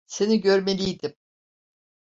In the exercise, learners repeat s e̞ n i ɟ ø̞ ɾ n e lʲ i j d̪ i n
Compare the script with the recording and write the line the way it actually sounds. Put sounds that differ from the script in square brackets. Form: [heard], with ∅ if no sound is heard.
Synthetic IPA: s e̞ n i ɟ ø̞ ɾ [m] e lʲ i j d̪ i [m]